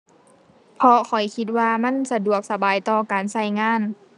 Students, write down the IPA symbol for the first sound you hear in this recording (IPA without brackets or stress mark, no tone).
pʰ